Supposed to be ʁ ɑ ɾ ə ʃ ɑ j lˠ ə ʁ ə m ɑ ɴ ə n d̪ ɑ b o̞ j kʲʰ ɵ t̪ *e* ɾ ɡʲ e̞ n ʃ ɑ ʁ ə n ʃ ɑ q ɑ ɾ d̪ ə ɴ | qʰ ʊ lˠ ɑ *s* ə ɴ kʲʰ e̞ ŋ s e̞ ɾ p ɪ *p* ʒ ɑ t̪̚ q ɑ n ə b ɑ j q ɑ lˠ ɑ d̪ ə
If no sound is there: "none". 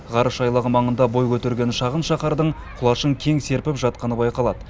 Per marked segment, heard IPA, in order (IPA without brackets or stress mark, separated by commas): e, ʃ, p